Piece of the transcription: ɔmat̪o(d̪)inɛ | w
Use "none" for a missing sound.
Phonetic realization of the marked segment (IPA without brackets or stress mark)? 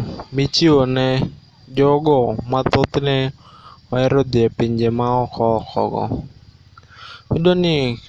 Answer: t̪